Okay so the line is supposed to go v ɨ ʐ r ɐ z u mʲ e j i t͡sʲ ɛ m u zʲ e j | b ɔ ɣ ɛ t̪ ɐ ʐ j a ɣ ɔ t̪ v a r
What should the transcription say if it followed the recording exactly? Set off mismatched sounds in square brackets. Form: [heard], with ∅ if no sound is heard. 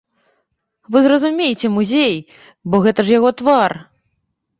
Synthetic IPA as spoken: v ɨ [z] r ɐ z u mʲ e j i t͡sʲ ɛ m u zʲ e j | b ɔ ɣ ɛ t̪ ɐ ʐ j a ɣ ɔ t̪ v a r